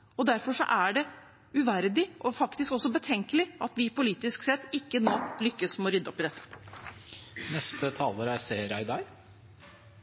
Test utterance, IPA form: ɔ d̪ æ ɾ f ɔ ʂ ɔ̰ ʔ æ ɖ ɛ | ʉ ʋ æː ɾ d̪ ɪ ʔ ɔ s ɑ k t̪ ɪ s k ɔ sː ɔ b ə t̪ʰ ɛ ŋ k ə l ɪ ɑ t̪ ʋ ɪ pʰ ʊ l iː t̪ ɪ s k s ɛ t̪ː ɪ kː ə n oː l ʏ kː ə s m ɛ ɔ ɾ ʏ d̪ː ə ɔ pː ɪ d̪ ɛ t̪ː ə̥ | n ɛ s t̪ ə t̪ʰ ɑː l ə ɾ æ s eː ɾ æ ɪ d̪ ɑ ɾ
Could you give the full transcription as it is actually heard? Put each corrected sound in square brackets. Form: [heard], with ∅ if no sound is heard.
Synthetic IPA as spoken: ɔ d̪ æ ɾ f ɔ ʂ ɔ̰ ʔ æ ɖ ɛ | ʉ ʋ [æ] ɾ d̪ ɪ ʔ ɔ [f] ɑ k t̪ ɪ s k ɔ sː ɔ b ə t̪ʰ ɛ ŋ k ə l ɪ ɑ t̪ ʋ ɪ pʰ ʊ l iː t̪ ɪ s k s ɛ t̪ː ɪ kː ə n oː l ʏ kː ə s m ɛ ɔ ɾ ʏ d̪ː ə ɔ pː ɪ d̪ ɛ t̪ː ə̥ | n ɛ s t̪ ə t̪ʰ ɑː l ə ɾ æ s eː ɾ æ ɪ d̪ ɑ ɾ

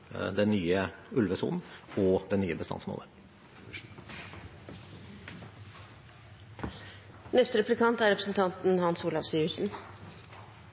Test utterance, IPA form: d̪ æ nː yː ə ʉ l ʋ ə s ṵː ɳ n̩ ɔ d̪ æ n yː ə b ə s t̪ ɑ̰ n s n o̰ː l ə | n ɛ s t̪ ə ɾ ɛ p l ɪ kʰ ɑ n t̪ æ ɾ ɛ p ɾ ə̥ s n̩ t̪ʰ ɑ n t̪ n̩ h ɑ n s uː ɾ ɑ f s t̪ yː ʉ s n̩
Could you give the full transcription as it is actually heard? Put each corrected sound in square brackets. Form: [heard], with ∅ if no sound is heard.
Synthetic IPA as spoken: d̪ [ɛ] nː yː ə ʉ l ʋ ə s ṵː [n] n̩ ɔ d̪ [ɛ] n yː ə b ə s t̪ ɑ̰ n s [m] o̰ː l ə | n ɛ s t̪ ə ɾ ɛ p l ɪ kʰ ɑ n t̪ æ ɾ ɛ p ɾ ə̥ s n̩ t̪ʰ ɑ n t̪ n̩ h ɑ n s uː [l] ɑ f s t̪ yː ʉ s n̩

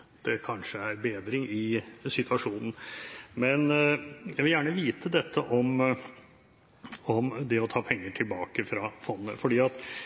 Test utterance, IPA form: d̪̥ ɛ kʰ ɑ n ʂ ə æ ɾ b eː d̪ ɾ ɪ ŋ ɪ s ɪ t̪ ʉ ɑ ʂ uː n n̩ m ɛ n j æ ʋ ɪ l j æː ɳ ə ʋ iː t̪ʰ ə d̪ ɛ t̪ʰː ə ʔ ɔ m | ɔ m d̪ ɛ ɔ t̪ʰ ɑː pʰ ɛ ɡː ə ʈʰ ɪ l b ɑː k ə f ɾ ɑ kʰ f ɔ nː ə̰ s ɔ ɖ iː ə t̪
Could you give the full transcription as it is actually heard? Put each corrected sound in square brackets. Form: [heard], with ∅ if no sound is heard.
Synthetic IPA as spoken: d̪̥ ɛ kʰ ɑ n ʂ ə æ ɾ b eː d̪ ɾ ɪ ŋ ɪ s ɪ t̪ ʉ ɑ ʂ uː n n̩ m ɛ n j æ ʋ ɪ l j æː ɳ ə ʋ iː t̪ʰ ə d̪ ɛ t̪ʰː ə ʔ ɔ m | ɔ m d̪ ɛ ɔ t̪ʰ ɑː pʰ ɛ [ŋː] ə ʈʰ ɪ l b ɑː k ə f ɾ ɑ [∅] f ɔ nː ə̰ [f] ɔ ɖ iː [ɑ] t̪

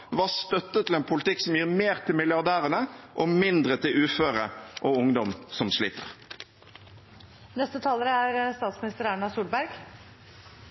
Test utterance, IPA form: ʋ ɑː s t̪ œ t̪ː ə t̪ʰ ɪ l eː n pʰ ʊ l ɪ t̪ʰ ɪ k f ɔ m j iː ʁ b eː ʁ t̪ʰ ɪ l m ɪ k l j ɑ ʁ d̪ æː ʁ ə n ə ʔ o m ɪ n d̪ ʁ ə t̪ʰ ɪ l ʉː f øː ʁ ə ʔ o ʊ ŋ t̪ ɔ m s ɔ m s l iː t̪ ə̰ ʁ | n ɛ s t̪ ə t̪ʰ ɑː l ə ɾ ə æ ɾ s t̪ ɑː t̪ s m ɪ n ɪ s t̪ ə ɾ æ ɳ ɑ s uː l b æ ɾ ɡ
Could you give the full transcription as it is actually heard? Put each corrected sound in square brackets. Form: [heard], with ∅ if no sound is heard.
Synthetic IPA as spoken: ʋ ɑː s t̪ œ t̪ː ə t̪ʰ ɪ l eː n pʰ ʊ l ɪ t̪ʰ ɪ k [s] ɔ m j iː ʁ [m] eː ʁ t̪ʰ ɪ l m ɪ [∅] l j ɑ ʁ d̪ æː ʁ ə n ə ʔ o m ɪ n d̪ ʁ ə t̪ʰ ɪ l ʉː f øː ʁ ə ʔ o ʊ ŋ [d̪] ɔ m s ɔ m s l iː t̪ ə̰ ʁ | n ɛ s t̪ ə t̪ʰ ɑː l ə ɾ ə æ ɾ s t̪ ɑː t̪ s m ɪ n ɪ s t̪ ə ɾ æ ɳ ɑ s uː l b æ ɾ ɡ

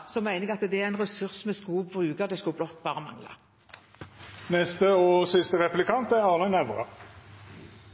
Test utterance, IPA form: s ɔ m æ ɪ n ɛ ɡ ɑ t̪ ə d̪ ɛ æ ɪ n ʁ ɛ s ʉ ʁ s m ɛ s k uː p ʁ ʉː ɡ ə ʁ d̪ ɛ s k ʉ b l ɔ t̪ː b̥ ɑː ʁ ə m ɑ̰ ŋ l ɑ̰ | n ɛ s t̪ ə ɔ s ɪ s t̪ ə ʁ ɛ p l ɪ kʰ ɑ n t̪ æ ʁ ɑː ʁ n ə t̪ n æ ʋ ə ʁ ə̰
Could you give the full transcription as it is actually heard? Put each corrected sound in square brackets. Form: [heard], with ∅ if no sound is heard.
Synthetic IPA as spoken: s ɔ m æ ɪ n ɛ ɡ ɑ t̪ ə d̪ ɛ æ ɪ n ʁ ɛ s ʉ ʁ s m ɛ s k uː [b] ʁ ʉː ɡ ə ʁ d̪ ɛ s k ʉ b l ɔ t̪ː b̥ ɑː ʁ ə m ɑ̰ ŋ l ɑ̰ | n ɛ s t̪ ə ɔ s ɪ s t̪ ə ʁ ɛ p l ɪ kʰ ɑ n t̪ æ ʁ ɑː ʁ n ə [∅] n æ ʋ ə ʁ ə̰

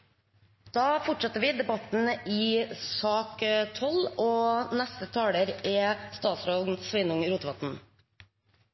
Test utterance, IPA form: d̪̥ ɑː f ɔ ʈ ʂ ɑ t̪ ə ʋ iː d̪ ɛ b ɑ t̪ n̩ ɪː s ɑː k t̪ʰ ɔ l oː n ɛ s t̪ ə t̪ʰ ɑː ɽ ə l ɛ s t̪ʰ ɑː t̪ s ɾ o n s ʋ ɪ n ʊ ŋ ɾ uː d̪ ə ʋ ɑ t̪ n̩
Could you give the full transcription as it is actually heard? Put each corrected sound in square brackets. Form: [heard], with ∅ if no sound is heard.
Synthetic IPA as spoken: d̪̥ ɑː f ɔ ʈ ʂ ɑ t̪ ə ʋ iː d̪ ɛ b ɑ t̪ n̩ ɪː s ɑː k t̪ʰ ɔ l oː n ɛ s t̪ ə t̪ʰ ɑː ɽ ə [ɾ] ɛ s [t̪] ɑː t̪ s ɾ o n s ʋ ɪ n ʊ ŋ ɾ uː [t̪] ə ʋ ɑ t̪ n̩

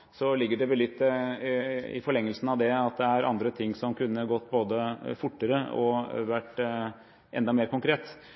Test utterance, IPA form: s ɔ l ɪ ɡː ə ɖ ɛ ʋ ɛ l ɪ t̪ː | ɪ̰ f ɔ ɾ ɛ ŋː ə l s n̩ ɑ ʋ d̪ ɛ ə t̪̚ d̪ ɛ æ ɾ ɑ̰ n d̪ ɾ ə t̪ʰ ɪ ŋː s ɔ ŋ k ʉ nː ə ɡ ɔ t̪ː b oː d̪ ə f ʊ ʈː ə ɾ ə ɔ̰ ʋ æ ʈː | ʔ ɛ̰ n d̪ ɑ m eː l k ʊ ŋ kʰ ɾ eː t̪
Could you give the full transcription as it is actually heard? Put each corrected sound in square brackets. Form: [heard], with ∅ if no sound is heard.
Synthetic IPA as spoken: s ɔ l ɪ ɡː ə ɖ ɛ ʋ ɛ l ɪ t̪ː | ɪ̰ f ɔ [ɭ] ɛ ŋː ə l s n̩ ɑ ʋ d̪ ɛ [ɑ] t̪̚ d̪ ɛ æ ɾ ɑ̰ n d̪ ɾ ə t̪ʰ ɪ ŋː s ɔ [m] k ʉ nː ə ɡ ɔ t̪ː b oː d̪ ə f ʊ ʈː ə ɾ ə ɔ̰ ʋ æ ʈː | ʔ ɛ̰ n d̪ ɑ m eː [ɾ] k ʊ ŋ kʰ ɾ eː t̪

